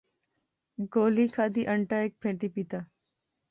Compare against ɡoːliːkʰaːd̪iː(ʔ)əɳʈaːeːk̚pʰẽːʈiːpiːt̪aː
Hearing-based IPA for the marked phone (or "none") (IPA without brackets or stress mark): ʔ